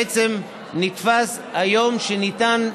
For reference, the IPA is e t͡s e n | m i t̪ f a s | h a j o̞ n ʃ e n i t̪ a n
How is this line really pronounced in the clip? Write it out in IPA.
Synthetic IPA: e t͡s e m | n i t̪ f a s | h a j o̞ m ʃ e n i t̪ a n